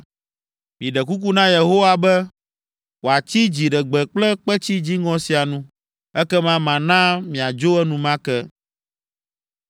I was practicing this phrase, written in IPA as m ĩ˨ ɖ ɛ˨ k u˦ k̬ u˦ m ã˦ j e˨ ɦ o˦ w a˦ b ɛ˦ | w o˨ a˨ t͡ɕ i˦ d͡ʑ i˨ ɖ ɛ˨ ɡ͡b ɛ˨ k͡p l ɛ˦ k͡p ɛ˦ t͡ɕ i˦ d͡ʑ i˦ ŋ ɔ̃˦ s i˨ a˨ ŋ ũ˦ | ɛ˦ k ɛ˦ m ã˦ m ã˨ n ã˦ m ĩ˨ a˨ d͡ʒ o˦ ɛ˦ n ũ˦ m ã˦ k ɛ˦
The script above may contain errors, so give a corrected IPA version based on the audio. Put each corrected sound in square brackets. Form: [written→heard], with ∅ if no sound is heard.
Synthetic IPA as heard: m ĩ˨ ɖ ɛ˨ k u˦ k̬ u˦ [m→n] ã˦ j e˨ ɦ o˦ w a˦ b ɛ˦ | w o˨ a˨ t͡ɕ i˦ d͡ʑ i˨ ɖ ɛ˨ ɡ͡b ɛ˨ k͡p l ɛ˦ k͡p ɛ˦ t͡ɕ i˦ d͡ʑ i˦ ŋ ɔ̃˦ s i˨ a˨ [ŋ→n] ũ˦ | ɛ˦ k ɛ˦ m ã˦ m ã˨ n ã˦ m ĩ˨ a˨ d͡ʒ o˦ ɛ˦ n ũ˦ m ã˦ k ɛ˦

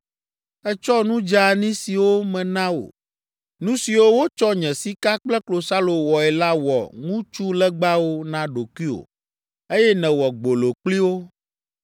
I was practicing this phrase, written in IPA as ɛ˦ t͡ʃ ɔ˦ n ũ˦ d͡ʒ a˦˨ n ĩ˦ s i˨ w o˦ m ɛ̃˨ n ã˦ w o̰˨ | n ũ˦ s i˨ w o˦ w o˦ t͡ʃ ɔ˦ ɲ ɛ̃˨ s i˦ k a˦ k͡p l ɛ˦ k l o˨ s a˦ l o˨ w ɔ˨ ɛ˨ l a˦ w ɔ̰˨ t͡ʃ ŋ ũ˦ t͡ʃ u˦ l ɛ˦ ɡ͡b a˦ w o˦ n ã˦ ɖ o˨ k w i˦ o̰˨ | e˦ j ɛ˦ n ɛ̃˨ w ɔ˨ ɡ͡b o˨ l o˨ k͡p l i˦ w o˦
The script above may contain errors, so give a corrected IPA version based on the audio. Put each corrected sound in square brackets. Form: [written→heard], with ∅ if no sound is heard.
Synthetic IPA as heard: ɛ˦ t͡ʃ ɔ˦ n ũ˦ d͡ʒ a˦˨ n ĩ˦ s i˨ w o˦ m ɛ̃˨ n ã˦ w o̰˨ | n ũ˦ s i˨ w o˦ w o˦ t͡ʃ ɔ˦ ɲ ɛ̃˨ s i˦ k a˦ k͡p l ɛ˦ k l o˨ s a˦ l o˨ w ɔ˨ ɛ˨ l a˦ w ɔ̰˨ [t͡ʃ→∅] ŋ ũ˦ t͡ʃ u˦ l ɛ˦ ɡ͡b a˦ w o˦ n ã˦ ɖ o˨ k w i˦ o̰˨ | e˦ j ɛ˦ n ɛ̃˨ w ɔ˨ ɡ͡b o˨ l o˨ k͡p l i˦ w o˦

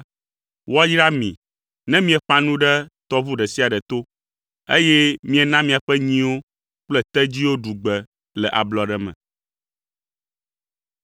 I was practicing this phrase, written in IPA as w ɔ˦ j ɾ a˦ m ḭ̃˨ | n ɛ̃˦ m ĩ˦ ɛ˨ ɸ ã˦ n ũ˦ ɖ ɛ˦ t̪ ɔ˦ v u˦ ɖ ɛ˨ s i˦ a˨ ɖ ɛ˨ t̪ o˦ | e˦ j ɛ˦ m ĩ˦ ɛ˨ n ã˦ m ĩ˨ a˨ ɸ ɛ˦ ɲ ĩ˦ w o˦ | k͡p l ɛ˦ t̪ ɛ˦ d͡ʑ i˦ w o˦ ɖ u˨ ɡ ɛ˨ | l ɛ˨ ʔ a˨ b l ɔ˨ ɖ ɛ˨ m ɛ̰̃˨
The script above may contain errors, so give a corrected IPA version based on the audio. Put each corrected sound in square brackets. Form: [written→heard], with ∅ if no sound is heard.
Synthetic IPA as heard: w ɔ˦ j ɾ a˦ m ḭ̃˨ | n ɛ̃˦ m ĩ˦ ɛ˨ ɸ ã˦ n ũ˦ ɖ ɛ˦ t̪ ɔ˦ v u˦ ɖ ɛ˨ s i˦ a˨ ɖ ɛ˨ t̪ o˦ | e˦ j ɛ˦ m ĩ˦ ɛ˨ n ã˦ m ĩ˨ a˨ ɸ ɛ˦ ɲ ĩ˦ w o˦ | k͡p l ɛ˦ t̪ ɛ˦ d͡ʑ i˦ w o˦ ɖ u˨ [ɡ→ɡ͡b] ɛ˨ | l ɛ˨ ʔ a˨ b l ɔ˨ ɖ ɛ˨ m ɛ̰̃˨

